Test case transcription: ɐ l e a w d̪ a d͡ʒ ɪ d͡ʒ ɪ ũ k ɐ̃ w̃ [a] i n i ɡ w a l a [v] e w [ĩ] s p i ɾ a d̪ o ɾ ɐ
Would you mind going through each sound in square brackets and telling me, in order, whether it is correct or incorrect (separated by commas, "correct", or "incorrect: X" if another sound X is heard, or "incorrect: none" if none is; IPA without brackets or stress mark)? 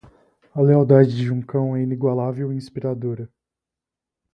incorrect: ɛ, correct, correct